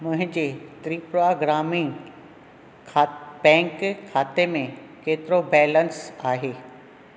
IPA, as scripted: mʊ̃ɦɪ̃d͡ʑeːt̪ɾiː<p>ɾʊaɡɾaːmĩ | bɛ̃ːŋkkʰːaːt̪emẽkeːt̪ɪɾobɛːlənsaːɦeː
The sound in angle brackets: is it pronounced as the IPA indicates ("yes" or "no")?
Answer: yes